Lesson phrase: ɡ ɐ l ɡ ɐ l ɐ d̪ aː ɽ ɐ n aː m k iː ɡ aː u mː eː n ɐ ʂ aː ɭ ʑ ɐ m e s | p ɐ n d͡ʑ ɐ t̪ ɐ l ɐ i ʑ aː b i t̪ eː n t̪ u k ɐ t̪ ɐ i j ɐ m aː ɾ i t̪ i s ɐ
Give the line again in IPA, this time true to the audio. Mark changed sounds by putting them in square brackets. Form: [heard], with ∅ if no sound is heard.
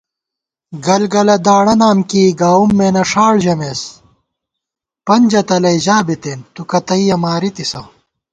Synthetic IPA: ɡ ɐ l ɡ ɐ l ɐ d̪ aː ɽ ɐ n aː m k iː ɡ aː u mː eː n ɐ ʂ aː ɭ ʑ ɐ m e s | p ɐ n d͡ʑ ɐ t̪ ɐ l ɐ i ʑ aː b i t̪ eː n t̪ u k ɐ t̪ ɐ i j ɐ m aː ɾ i t̪ i s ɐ